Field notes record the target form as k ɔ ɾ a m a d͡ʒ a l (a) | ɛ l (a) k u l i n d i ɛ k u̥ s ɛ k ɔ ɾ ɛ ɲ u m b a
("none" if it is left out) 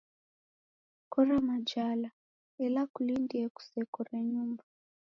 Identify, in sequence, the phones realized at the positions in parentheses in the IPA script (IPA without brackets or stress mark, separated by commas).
a, a